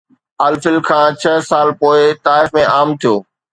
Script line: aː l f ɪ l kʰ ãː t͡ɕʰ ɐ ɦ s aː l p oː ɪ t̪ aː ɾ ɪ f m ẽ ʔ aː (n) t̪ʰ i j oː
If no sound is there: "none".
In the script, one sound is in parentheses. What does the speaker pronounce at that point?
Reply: m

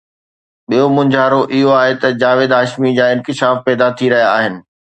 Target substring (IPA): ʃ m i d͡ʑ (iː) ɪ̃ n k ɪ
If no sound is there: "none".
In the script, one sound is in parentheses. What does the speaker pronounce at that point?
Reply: aː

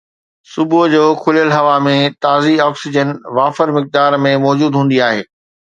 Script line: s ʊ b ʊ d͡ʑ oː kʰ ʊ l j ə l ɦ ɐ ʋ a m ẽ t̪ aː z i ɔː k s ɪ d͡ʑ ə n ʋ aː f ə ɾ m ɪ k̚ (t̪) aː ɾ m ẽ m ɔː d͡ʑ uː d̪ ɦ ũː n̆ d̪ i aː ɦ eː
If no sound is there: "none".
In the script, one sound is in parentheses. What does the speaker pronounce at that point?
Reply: d̪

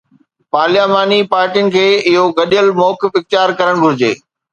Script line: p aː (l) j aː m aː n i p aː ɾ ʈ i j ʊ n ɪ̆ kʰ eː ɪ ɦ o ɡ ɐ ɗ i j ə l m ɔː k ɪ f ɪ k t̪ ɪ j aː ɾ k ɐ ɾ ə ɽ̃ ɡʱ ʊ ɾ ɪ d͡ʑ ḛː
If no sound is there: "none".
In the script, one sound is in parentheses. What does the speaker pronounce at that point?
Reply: l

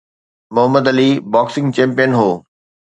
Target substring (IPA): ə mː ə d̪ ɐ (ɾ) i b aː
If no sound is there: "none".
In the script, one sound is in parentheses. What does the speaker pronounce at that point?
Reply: l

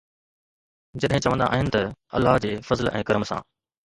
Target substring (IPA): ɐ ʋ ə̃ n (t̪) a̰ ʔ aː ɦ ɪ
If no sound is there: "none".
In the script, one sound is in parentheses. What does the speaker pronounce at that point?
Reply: d̪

